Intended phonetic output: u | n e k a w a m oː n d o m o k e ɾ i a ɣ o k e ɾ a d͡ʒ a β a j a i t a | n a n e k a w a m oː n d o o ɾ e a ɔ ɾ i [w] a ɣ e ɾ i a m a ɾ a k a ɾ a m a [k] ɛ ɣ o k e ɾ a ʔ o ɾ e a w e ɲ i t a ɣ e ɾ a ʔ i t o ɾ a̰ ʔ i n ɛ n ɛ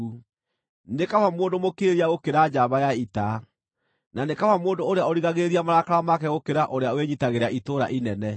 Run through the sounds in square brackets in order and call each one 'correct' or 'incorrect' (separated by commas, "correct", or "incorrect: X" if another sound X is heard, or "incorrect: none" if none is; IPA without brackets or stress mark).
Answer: incorrect: ɣ, correct